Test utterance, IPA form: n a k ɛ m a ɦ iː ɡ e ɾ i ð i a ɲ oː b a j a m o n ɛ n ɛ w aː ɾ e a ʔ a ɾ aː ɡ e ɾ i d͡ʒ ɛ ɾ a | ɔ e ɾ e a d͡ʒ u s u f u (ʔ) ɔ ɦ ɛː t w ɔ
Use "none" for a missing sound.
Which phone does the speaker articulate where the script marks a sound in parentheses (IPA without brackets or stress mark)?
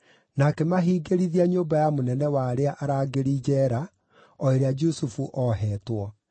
ʔ